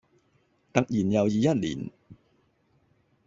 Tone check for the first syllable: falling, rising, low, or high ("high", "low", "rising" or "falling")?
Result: low